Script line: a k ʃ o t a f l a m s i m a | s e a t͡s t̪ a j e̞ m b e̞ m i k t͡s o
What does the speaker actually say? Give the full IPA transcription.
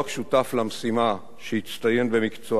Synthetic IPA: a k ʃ u t a f l a m s i m a | ʃ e i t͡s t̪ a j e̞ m b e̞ m i k t͡s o